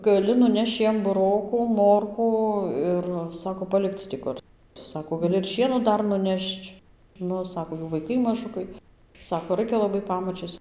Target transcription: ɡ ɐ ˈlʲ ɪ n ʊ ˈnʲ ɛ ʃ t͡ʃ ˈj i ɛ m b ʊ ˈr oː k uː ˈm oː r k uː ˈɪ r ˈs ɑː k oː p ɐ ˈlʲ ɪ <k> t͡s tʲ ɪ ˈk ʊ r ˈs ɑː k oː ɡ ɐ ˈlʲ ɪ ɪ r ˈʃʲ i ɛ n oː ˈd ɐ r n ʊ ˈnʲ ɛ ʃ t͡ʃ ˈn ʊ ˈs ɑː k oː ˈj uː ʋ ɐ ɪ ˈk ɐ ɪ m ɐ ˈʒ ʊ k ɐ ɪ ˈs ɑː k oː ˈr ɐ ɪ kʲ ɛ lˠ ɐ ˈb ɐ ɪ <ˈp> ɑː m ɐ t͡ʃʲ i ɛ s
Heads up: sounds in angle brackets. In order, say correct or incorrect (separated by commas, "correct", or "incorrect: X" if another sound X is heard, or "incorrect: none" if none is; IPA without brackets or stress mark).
correct, correct